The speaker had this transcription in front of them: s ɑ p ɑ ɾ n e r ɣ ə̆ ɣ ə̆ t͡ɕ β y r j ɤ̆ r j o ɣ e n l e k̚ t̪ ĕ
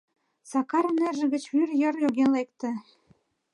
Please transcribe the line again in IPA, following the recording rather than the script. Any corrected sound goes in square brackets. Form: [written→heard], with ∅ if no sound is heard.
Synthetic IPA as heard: s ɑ [p→k] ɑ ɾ n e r [ɣ→ʒ] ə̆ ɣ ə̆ t͡ɕ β y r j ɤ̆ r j o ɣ e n l e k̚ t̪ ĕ